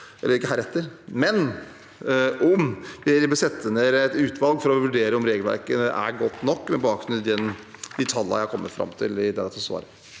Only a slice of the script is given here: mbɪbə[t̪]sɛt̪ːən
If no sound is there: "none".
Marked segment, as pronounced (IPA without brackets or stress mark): none